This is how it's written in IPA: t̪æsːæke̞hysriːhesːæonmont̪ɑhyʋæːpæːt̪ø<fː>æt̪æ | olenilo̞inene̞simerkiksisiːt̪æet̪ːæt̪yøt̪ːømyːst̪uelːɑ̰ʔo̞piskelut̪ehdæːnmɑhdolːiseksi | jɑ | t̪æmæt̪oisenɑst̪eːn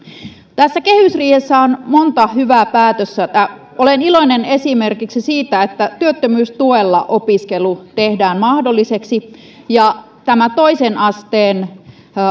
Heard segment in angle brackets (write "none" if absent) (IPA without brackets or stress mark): sː